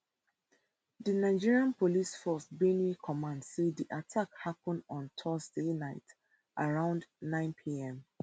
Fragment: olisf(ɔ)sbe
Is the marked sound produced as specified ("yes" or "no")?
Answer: yes